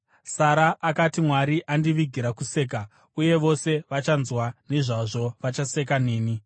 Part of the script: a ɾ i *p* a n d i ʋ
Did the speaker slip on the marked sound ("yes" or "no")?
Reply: yes